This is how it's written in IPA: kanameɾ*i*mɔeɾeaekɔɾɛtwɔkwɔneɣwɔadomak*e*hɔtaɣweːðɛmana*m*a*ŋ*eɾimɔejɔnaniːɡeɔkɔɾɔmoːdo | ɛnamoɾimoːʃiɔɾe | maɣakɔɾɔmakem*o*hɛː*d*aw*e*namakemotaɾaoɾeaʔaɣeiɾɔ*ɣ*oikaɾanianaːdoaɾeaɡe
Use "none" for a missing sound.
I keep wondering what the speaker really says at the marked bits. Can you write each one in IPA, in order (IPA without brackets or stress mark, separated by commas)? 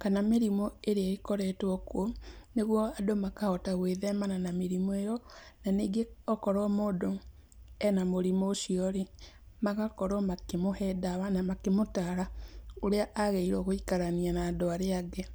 i, a, n, m, o, d, a, ɣ